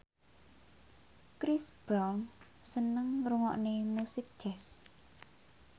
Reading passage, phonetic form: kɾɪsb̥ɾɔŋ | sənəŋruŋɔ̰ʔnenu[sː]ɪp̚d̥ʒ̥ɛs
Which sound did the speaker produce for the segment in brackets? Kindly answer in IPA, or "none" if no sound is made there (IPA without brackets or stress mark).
s